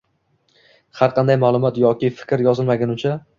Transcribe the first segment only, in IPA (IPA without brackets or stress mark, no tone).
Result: h